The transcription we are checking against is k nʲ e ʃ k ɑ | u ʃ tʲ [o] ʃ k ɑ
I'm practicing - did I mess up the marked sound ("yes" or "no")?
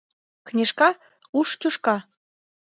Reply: yes